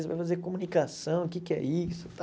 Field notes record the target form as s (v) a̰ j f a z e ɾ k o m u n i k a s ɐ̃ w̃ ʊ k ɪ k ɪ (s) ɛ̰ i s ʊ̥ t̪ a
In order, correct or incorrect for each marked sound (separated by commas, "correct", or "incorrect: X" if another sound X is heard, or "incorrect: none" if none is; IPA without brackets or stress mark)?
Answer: correct, incorrect: none